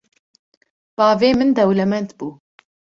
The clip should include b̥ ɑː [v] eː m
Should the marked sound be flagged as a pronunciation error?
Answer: no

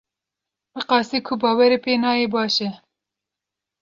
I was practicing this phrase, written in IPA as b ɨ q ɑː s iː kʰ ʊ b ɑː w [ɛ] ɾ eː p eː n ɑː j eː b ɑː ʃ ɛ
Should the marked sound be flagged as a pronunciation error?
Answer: no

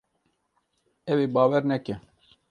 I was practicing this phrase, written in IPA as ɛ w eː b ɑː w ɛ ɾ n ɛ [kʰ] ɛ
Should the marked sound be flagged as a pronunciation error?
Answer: yes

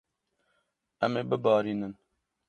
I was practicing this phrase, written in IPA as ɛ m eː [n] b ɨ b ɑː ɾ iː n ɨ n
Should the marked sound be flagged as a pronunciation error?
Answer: yes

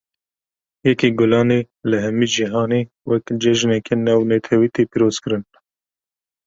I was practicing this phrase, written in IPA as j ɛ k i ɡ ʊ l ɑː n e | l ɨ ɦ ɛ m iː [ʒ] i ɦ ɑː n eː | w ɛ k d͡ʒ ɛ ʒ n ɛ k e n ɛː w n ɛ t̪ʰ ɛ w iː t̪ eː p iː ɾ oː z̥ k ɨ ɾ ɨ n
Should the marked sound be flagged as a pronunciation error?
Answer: yes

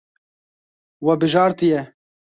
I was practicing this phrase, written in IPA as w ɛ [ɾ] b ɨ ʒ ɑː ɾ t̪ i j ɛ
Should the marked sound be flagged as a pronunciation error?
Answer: yes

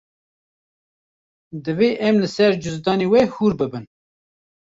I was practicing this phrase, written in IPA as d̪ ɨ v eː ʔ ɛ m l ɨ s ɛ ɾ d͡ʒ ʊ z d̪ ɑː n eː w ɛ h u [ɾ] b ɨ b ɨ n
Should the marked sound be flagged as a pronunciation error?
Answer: no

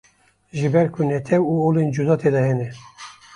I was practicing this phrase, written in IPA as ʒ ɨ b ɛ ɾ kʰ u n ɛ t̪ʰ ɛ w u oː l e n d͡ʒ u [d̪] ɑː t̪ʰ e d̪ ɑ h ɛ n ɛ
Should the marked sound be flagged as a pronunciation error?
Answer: no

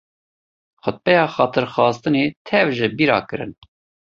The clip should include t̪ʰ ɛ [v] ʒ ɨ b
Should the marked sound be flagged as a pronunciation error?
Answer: no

